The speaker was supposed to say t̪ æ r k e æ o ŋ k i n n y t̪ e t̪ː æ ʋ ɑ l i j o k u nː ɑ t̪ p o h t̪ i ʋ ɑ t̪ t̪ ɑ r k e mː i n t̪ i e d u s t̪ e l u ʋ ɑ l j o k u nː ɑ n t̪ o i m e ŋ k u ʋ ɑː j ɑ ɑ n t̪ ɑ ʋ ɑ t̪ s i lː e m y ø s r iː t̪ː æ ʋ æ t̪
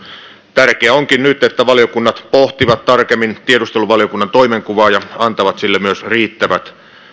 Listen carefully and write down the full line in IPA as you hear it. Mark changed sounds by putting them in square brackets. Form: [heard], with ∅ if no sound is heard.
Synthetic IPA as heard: t̪ æ r k e æ o ŋ k i n n y t̪ e t̪ː æ ʋ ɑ l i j o k u nː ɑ t̪ p o h t̪ i ʋ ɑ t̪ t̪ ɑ r k e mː i n t̪ i e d u s t̪ e l u ʋ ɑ l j o k u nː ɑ n t̪ o i m e ŋ k u ʋ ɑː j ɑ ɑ n t̪ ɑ ʋ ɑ t̪ s i lː e m y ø s r iː t̪ː æ ʋ æ t̪